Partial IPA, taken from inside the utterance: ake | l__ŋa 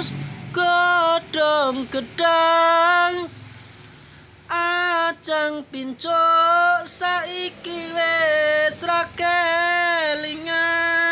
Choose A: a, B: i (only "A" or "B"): B